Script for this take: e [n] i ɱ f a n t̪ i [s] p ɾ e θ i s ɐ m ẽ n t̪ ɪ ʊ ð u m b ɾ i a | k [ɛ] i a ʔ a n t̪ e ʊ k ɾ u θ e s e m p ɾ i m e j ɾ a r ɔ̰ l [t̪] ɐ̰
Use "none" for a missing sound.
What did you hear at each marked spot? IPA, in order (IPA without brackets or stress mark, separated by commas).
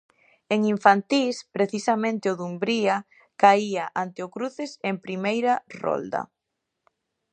ŋ, s, a, d̪